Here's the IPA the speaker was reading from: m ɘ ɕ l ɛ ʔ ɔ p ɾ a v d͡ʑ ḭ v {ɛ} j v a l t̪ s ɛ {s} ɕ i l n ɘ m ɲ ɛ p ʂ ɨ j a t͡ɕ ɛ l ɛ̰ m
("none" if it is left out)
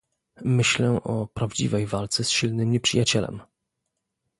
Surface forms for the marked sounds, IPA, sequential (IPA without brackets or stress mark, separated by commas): ɛ, s